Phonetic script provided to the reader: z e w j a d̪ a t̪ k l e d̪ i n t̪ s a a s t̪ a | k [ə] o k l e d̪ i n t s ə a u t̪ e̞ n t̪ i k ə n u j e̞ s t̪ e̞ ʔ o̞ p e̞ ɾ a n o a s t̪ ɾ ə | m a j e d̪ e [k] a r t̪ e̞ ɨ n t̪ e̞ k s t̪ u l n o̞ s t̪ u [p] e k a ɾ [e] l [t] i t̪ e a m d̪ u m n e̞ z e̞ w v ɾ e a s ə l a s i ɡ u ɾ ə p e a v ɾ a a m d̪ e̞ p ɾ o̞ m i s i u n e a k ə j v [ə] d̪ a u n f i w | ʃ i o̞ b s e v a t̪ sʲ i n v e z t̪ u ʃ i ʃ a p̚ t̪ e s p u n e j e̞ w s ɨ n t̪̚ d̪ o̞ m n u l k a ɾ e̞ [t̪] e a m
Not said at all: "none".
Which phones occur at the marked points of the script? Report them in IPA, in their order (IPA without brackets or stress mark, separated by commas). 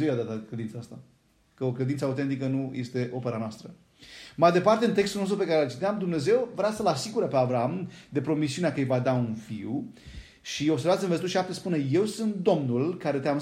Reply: ə, p, p, e, t͡ʃ, a, t̪